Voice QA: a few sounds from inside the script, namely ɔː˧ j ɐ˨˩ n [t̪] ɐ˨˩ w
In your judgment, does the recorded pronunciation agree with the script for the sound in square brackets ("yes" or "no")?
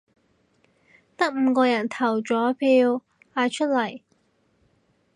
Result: no